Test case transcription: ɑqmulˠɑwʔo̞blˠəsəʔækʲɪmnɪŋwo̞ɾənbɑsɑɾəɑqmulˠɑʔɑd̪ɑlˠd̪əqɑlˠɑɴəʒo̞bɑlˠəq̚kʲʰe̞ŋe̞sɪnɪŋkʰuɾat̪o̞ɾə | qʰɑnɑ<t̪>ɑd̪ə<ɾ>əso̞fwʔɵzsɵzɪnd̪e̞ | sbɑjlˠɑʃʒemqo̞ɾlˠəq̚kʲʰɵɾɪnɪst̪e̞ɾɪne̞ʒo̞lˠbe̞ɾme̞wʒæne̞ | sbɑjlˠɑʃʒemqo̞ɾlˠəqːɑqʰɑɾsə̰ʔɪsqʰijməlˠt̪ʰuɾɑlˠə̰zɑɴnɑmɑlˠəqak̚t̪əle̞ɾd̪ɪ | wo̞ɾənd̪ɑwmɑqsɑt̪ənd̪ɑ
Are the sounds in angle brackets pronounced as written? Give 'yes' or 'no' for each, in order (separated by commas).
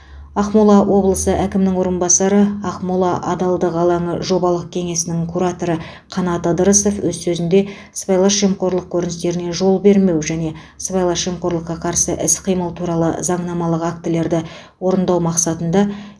yes, yes